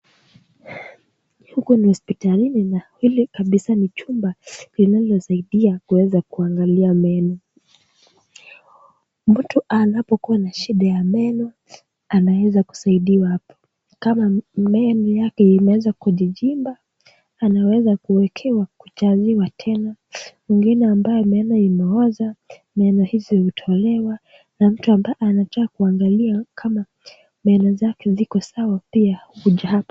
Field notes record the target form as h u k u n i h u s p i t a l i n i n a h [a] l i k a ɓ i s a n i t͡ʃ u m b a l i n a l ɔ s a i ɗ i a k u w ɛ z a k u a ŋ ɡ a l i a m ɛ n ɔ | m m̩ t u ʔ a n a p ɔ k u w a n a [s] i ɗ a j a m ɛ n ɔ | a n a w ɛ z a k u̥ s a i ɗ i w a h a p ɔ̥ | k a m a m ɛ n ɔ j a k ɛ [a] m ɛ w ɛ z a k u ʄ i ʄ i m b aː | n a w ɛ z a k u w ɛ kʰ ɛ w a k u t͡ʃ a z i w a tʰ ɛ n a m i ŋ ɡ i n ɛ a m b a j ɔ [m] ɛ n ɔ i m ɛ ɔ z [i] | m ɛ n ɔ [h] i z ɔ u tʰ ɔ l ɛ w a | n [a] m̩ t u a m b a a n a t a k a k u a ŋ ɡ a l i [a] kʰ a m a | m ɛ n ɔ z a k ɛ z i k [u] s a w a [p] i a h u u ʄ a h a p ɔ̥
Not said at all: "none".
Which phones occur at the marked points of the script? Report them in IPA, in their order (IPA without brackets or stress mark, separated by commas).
i, ʃ, i, m, a, h, a, a, ɔ, p